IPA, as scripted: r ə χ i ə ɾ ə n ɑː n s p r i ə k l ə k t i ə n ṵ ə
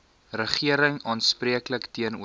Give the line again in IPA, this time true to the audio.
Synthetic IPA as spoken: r ə χ i ə ɾ ə ŋ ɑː n s p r i ə k l ə k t i ə n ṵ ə